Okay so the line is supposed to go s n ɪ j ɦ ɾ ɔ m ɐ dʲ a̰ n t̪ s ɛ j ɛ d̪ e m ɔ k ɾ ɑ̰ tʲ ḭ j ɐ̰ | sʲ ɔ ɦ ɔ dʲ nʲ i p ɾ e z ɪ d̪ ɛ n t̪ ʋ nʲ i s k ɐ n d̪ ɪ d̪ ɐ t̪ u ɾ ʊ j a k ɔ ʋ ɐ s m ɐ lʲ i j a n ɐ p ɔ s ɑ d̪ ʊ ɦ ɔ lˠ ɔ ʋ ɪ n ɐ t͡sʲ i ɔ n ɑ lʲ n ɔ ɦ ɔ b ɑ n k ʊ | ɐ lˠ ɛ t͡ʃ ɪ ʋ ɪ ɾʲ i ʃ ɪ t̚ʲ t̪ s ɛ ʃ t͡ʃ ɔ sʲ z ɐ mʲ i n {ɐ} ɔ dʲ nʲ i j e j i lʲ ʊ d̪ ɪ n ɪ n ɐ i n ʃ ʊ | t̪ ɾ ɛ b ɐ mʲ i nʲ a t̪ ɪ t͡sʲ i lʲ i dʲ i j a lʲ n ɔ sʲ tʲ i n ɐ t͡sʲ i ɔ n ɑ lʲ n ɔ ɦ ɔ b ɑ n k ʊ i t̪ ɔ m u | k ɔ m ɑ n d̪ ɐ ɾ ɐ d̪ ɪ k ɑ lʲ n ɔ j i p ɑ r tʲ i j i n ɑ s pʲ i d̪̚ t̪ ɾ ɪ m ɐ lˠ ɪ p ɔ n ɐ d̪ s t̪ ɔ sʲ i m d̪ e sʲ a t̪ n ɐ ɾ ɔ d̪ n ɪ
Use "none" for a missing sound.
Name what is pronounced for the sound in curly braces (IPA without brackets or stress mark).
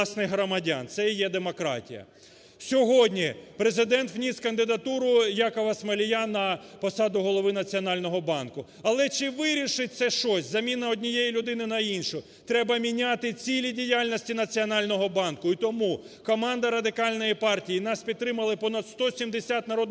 ɐ